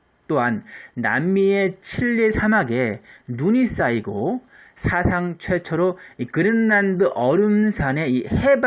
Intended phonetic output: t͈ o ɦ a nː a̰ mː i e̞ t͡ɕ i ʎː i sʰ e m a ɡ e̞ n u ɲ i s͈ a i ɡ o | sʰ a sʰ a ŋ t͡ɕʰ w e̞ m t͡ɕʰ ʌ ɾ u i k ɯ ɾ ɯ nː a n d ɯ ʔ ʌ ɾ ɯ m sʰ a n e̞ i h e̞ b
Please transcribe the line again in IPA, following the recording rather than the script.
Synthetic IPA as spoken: t͈ o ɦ a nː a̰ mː i e̞ t͡ɕʰ i ʎː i sʰ a m a ɡ e̞ n u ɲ i s͈ a i ɡ o | sʰ a sʰ a ŋ t͡ɕʰ w e̞ t͡ɕʰ ʌ ɾ o i k ɯ ɾ ɯ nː a n d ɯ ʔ ʌ ɾ ɯ m sʰ a n e̞ i h e̞ b